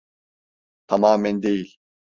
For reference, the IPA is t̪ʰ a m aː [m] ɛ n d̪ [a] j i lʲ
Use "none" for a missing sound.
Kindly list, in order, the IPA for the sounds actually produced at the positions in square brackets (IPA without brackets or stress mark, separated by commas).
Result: m, e